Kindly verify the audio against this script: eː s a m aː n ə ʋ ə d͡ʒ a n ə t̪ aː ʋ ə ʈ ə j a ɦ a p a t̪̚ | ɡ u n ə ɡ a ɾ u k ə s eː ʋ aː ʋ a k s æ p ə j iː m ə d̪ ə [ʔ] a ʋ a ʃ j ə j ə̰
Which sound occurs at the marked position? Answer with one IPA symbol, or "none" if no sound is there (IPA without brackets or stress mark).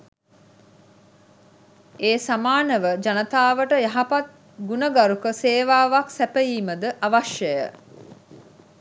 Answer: ʔ